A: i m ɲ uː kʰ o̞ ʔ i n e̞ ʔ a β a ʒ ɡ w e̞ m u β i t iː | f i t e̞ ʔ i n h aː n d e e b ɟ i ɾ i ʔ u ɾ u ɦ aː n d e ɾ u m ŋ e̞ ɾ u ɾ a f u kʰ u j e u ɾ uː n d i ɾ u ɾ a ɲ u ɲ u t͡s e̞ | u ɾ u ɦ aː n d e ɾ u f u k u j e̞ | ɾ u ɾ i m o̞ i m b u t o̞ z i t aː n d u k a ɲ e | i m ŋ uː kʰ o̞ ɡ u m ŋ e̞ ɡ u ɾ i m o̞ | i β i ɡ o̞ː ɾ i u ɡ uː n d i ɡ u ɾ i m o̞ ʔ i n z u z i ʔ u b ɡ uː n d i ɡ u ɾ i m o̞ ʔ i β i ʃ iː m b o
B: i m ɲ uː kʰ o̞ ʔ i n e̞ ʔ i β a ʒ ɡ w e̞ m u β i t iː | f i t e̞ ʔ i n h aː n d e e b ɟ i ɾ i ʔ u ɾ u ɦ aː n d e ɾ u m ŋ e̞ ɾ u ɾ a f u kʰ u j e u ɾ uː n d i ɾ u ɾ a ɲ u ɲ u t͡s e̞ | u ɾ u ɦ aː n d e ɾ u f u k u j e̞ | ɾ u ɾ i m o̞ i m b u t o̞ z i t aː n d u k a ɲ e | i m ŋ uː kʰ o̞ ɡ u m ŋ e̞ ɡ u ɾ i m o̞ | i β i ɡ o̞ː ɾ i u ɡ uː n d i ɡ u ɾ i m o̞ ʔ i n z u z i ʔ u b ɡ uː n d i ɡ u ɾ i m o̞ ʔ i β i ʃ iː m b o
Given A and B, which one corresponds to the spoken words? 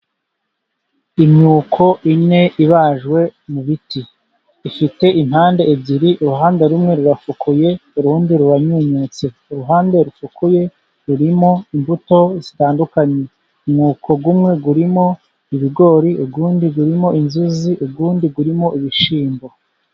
B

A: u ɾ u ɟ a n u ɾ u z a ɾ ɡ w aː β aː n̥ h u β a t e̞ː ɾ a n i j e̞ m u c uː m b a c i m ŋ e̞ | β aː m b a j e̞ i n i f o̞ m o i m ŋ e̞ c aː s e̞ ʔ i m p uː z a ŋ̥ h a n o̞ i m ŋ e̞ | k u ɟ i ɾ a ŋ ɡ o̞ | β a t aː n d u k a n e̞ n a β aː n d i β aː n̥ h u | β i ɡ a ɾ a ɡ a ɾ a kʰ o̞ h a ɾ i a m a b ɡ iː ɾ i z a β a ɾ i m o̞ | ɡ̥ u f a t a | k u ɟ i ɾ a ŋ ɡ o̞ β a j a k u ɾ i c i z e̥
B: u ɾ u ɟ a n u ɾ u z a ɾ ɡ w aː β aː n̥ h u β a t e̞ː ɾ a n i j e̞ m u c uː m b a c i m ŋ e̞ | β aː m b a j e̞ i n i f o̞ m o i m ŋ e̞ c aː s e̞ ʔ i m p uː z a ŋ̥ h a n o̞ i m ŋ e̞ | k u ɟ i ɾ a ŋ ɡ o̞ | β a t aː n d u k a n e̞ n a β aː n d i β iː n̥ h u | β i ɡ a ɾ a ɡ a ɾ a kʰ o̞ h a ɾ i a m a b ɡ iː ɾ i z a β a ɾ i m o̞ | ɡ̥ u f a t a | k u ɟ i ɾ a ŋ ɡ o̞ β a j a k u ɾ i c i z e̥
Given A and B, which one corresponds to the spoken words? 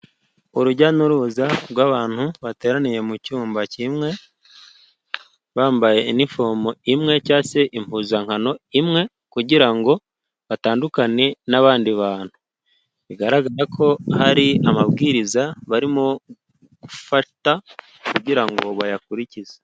A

